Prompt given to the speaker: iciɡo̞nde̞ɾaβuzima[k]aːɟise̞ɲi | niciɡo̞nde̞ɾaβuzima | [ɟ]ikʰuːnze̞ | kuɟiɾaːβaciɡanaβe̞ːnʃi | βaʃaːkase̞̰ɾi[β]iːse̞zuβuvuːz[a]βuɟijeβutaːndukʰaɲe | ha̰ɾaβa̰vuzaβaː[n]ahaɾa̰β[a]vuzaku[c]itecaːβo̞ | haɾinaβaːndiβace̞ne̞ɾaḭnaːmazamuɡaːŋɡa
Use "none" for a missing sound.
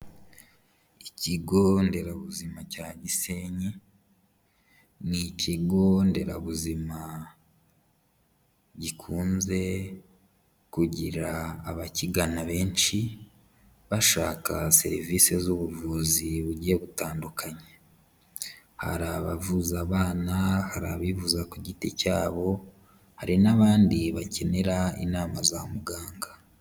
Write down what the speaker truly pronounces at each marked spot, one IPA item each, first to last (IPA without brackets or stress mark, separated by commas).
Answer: c, ɟ, v, i, n, i, ɟ